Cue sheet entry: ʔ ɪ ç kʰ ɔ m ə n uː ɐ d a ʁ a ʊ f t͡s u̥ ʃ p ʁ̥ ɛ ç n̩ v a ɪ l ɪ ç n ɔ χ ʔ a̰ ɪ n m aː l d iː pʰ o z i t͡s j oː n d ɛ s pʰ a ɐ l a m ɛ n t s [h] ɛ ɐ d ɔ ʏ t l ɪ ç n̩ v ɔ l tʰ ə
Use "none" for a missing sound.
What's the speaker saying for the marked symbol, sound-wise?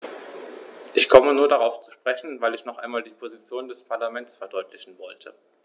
f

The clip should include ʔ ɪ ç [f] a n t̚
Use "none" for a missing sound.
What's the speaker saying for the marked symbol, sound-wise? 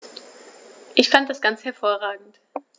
f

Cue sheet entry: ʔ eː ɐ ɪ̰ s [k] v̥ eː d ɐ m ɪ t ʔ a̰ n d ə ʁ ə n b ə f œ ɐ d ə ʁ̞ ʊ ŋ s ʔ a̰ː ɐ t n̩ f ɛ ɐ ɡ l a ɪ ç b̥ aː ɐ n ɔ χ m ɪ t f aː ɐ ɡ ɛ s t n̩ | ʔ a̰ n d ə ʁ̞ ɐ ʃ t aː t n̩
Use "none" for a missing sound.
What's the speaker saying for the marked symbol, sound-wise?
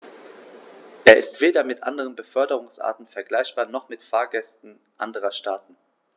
t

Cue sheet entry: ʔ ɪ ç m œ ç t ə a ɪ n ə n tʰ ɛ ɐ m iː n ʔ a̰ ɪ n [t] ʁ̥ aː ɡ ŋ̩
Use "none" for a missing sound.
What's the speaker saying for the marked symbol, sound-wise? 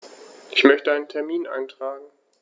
t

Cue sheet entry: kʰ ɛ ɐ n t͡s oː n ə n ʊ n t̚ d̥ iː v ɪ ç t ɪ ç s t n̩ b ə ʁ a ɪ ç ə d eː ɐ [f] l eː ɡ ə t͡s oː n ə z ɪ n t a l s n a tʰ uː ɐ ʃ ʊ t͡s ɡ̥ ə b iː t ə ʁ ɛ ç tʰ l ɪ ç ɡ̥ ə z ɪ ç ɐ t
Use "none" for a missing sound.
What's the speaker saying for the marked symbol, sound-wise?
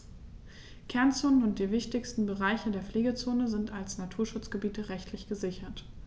f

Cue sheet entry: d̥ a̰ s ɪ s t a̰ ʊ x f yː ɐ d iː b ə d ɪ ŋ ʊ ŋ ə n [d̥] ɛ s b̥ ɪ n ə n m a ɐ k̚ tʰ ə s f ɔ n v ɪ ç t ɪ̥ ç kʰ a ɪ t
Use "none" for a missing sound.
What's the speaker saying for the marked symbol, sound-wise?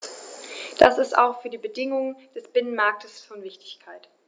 d̥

